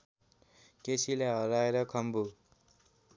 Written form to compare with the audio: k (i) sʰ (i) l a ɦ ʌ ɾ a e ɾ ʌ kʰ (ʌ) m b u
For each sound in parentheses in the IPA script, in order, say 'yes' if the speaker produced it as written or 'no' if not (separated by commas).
no, yes, yes